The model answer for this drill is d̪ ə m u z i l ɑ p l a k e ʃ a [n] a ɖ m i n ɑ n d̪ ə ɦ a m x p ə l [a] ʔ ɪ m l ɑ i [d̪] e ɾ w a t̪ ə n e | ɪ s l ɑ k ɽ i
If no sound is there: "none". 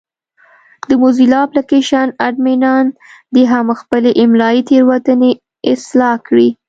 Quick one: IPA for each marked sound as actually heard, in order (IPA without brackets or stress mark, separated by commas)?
n, e, t̪